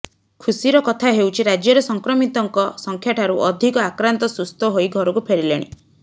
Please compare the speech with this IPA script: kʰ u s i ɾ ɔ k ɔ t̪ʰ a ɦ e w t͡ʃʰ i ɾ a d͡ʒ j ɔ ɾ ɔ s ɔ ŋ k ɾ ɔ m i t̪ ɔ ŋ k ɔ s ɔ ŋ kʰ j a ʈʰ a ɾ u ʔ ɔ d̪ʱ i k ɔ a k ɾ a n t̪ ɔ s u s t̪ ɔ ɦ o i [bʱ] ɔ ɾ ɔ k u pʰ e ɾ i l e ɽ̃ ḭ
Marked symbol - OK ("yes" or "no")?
no